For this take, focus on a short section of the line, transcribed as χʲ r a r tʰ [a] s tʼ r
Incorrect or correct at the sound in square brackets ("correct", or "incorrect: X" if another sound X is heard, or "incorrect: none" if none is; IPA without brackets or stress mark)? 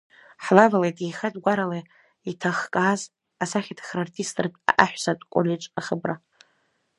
incorrect: i